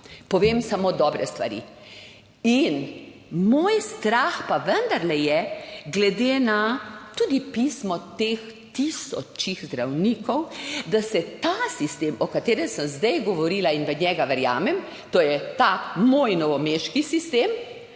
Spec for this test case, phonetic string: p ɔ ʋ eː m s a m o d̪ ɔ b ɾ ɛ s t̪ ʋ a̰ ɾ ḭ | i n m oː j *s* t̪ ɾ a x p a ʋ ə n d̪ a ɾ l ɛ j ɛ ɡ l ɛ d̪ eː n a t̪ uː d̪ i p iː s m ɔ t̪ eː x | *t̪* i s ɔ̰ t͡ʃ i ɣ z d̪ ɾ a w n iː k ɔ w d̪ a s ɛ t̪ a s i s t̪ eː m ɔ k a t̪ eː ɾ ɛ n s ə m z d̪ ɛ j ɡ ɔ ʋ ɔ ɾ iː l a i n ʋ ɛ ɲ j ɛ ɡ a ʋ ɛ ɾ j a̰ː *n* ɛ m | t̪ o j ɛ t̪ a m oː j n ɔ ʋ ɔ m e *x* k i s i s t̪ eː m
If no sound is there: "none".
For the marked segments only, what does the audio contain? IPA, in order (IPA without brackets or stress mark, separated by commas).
s, t̪, m, ʃ